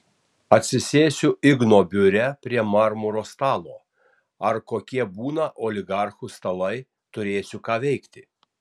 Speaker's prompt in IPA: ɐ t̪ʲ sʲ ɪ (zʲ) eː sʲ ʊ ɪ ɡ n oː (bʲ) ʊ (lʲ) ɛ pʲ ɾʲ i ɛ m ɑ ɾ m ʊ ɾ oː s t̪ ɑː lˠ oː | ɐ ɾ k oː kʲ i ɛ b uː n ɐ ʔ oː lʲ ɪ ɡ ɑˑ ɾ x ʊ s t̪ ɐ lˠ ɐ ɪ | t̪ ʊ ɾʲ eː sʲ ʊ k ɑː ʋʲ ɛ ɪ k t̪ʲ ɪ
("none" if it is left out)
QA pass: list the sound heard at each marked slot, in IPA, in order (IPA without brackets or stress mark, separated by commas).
sʲ, bʲ, ɾʲ